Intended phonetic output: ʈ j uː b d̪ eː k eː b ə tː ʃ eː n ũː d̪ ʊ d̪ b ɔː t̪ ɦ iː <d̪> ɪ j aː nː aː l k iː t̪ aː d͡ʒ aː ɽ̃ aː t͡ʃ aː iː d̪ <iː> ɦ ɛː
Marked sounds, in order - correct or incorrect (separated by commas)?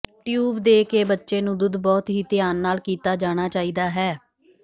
incorrect, incorrect